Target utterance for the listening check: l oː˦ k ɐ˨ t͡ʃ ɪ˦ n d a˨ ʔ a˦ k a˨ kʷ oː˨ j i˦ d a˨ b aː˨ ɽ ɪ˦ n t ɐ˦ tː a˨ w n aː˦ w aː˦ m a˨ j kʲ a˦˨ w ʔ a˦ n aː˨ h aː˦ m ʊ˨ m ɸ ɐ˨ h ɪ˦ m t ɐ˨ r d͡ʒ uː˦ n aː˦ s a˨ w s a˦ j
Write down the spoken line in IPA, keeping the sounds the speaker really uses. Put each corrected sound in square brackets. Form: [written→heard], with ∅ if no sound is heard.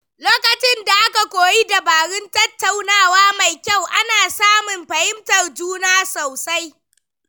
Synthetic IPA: l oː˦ k ɐ˨ t͡ʃ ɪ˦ n d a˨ ʔ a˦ k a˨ kʷ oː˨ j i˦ d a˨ b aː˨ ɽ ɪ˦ n t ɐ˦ tː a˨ w n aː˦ w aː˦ m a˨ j kʲ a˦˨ w ʔ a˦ n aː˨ [h→s] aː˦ m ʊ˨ m ɸ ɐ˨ h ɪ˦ m t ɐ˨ r d͡ʒ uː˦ n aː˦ s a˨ w s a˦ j